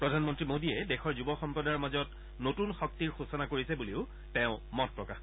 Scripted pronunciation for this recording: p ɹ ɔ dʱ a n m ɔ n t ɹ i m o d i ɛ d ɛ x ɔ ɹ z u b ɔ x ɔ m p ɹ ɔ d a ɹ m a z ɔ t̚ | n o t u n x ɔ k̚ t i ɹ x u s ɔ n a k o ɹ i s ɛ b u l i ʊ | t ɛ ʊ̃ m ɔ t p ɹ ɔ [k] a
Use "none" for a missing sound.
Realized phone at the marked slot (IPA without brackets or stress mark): k